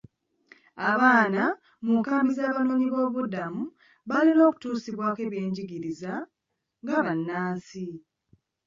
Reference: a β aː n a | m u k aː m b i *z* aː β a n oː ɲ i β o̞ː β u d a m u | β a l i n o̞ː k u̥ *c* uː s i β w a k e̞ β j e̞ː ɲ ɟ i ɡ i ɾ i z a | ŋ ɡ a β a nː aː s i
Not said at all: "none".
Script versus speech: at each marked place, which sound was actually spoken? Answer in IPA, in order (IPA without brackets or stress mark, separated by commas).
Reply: z, t